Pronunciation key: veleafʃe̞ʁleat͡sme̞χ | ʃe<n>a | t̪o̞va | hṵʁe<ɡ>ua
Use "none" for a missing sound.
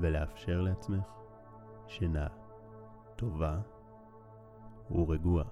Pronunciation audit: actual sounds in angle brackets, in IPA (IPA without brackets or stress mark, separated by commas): n, ɡ